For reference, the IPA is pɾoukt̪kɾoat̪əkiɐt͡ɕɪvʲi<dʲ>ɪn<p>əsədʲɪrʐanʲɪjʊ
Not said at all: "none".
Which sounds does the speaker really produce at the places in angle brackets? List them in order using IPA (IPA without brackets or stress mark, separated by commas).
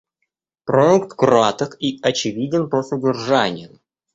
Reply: dʲ, p